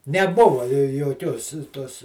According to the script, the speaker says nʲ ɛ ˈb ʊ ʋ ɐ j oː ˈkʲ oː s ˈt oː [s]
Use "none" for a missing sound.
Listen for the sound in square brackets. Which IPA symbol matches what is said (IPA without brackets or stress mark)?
s